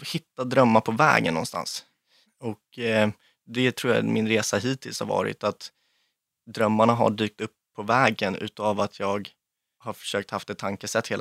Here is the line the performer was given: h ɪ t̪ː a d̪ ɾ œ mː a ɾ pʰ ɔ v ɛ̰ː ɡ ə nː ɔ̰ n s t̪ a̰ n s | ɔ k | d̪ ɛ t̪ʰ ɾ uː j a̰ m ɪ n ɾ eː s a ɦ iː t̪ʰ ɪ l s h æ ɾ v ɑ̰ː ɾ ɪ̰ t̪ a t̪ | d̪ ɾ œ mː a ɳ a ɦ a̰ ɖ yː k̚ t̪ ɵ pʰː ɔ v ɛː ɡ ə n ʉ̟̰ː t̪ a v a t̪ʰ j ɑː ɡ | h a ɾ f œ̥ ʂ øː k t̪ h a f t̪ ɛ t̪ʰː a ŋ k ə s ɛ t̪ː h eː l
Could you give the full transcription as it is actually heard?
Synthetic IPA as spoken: h ɪ t̪ː a d̪ ɾ œ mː a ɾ pʰ ɔ v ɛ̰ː ɡ ə nː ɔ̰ n s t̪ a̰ n s | ɔ k | d̪ ɛ t̪ʰ ɾ uː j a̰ m ɪ n ɾ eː s a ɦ iː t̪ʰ ɪ l s h a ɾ v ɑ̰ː ɾ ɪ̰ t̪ a t̪ | d̪ ɾ œ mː a ɳ a ɦ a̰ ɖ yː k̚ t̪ ɵ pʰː ɔ v ɛː ɡ ə n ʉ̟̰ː t̪ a v a t̪ʰ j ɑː ɡ | h a ɾ f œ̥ ʂ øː k t̪ h a f t̪ ɛ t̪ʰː a ŋ k ə s ɛ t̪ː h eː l